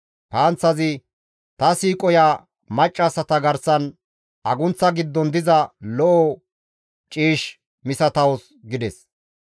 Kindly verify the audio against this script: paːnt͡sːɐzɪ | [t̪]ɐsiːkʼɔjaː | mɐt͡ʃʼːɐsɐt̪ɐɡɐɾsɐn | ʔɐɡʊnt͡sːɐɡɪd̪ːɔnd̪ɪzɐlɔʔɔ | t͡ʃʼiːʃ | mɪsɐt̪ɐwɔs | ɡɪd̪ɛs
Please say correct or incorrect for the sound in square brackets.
correct